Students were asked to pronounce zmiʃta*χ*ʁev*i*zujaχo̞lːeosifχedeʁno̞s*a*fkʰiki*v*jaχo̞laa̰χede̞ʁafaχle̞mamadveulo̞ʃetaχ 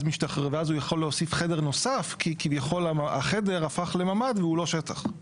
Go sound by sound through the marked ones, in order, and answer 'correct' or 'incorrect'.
correct, incorrect, correct, correct

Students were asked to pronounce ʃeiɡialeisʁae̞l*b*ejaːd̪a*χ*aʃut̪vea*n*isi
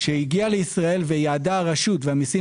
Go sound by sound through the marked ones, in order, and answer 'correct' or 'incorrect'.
incorrect, incorrect, incorrect

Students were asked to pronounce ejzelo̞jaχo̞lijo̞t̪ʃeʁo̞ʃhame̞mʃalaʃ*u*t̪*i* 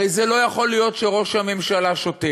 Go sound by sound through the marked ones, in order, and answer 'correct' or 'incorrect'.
incorrect, incorrect

